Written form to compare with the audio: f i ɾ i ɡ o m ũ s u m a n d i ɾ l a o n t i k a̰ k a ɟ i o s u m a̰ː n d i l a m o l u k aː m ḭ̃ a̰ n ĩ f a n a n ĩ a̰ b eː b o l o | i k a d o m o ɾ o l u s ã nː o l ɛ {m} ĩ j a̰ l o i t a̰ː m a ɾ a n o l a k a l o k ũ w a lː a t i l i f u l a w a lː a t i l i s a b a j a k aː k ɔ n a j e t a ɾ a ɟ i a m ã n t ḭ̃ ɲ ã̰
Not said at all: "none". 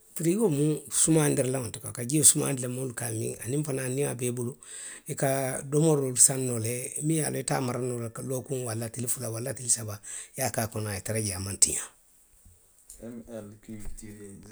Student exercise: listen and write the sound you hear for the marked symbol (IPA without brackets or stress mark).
m